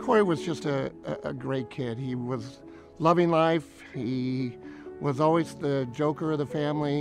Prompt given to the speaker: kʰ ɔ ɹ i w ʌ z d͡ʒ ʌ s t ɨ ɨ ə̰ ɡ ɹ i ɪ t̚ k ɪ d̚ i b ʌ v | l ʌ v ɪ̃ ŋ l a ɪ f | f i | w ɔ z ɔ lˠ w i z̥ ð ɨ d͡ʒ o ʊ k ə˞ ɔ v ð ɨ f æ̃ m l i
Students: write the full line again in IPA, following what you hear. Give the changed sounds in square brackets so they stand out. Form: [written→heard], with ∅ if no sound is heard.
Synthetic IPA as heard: kʰ ɔ ɹ i w ʌ z d͡ʒ ʌ s t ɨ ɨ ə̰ ɡ ɹ [i→e] ɪ t̚ [k→kʰ] ɪ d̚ i [b→w] ʌ [v→z] | l ʌ v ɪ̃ ŋ l a ɪ f | [f→h] i | w [ɔ→ʌ] z ɔ lˠ w i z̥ ð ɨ d͡ʒ o ʊ k ə˞ [ɔ→ʌ] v ð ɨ f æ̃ m l i